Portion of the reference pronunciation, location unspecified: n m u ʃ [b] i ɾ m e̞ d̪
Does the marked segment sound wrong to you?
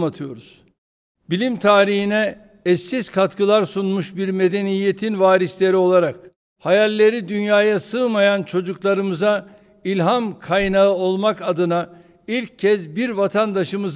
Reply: no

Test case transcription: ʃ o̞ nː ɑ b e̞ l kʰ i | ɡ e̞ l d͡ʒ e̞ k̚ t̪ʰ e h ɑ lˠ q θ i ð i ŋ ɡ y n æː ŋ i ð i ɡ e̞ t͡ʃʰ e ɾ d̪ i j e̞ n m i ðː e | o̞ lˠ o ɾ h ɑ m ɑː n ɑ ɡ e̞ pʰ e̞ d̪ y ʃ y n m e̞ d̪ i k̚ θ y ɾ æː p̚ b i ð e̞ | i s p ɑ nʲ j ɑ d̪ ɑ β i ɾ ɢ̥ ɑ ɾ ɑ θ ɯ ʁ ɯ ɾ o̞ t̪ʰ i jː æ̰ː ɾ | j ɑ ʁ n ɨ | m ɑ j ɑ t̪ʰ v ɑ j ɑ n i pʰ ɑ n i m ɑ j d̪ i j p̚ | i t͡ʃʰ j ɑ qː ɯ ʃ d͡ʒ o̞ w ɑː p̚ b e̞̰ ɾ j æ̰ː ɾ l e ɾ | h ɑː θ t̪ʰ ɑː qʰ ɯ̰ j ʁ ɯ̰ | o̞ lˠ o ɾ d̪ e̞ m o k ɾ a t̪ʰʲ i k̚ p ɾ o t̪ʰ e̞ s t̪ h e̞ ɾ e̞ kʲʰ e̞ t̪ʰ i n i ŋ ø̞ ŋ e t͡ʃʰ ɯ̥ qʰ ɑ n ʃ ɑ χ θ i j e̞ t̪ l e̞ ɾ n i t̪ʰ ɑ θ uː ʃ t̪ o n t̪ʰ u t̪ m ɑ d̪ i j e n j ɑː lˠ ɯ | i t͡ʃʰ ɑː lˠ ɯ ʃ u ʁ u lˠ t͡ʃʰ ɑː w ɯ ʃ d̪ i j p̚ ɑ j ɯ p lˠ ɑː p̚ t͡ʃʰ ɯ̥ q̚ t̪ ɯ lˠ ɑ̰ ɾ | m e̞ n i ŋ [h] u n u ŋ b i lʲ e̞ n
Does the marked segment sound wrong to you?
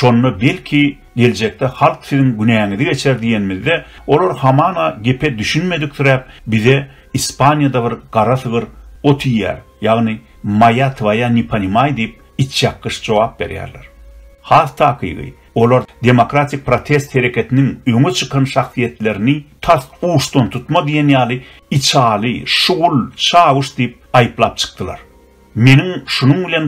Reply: yes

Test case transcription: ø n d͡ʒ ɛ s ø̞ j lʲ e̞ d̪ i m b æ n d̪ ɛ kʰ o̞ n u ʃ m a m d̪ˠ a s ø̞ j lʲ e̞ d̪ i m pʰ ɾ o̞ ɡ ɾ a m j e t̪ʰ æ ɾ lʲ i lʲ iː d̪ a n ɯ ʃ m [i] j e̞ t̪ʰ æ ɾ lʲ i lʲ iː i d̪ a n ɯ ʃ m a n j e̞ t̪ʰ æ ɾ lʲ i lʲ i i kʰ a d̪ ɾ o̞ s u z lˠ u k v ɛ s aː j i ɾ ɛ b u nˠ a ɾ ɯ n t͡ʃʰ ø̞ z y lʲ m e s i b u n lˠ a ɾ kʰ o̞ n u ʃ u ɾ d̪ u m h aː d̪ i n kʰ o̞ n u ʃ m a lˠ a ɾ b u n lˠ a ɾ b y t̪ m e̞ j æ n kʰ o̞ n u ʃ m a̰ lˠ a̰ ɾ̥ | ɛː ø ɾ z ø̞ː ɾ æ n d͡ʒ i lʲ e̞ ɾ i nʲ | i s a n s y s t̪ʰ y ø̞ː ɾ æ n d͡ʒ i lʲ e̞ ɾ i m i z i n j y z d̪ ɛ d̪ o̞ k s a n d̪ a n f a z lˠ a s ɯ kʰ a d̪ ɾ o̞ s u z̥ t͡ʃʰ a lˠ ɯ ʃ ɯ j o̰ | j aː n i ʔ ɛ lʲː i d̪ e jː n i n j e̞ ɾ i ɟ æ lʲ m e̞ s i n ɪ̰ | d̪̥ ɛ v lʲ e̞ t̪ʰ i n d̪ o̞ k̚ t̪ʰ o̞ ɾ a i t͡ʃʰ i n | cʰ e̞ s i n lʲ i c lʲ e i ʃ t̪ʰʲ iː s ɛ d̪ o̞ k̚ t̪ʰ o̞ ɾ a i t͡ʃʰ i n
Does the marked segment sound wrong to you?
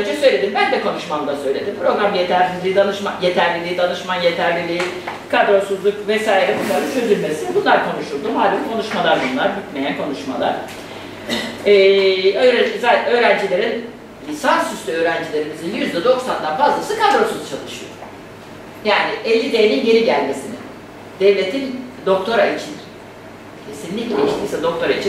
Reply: yes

